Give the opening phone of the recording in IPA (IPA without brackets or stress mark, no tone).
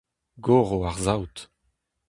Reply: ɡ